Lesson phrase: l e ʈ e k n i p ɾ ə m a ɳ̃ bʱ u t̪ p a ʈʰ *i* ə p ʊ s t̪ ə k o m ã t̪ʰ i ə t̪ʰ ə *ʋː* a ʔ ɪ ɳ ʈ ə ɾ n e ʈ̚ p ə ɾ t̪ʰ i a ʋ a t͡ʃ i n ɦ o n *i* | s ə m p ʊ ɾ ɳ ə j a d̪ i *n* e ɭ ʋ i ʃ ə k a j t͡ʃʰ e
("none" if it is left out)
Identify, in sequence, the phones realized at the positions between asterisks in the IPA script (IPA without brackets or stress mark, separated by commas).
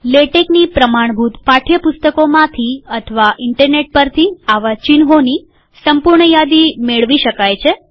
j, ʋ, i, m